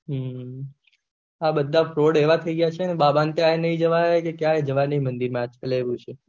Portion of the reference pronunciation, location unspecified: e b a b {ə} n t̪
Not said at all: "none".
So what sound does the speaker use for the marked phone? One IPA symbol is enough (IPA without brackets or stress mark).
a